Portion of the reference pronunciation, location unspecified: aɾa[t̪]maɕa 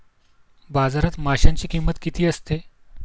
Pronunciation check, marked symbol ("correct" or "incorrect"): correct